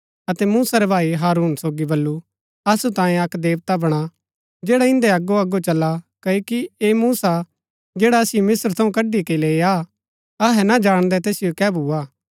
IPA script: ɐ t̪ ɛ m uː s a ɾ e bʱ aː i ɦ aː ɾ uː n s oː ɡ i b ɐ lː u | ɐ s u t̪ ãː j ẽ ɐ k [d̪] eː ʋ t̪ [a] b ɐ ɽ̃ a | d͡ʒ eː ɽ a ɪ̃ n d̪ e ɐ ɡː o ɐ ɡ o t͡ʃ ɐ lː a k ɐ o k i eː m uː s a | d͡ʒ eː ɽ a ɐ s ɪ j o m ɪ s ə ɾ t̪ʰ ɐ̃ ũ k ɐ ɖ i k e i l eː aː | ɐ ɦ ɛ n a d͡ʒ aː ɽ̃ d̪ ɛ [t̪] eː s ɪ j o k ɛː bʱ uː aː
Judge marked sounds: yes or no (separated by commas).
yes, yes, yes